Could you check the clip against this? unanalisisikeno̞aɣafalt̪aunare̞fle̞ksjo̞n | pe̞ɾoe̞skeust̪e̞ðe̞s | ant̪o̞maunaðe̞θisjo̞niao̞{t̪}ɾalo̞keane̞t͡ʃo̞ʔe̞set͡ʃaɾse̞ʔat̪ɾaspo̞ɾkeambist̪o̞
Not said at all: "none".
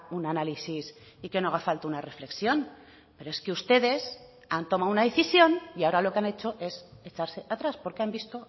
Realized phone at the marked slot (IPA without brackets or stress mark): none